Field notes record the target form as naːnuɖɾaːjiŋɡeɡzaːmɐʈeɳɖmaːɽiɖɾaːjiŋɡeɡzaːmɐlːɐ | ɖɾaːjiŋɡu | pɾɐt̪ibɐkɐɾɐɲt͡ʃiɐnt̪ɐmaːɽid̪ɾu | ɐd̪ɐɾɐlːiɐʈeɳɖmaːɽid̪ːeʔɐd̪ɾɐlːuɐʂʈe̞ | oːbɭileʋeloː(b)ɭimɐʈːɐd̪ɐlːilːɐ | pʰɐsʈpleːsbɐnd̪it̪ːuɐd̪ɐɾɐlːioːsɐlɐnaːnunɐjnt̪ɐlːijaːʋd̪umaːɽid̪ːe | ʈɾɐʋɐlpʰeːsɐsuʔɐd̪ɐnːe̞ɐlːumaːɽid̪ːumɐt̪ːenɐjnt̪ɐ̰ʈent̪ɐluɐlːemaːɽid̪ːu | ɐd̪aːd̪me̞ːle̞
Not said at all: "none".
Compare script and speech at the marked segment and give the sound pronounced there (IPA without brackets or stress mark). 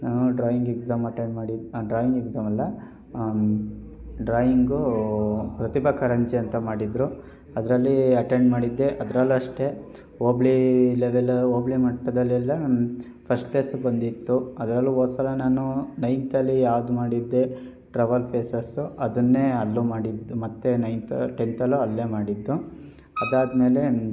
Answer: b